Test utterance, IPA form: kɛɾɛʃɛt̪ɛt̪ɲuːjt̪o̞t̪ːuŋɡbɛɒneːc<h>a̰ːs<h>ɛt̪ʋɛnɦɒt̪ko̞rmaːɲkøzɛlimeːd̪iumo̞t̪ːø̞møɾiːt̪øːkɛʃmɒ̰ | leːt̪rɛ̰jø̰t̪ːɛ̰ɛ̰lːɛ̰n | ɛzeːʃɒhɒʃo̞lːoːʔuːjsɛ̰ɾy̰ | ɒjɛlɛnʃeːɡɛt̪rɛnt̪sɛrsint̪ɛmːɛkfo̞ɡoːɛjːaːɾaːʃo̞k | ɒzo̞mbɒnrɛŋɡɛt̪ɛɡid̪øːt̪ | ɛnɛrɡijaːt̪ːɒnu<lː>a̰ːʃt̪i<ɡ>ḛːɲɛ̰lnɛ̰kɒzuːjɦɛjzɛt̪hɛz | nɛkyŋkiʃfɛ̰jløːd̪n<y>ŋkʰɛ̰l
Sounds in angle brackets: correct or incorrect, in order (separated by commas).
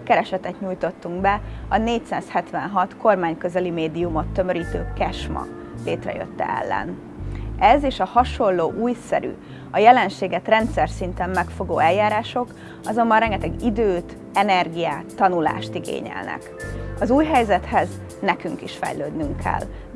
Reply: incorrect, correct, incorrect, correct, correct